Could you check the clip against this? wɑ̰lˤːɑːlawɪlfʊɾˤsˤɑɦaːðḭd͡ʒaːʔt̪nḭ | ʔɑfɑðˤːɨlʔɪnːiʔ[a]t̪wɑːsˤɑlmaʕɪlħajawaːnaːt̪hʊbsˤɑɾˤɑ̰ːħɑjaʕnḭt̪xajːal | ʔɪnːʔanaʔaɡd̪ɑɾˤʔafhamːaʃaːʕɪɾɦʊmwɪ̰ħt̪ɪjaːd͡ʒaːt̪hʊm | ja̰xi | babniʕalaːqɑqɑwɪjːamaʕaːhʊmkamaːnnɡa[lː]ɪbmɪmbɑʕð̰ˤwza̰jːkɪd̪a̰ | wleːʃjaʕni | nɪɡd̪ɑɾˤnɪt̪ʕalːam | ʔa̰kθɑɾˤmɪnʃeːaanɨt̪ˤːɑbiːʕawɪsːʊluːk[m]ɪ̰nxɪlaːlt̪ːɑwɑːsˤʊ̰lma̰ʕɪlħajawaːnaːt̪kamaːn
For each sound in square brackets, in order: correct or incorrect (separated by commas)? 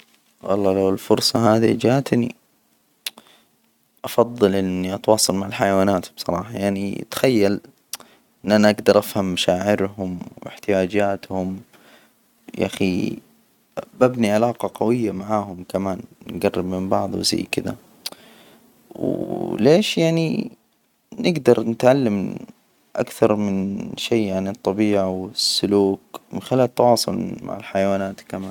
incorrect, incorrect, correct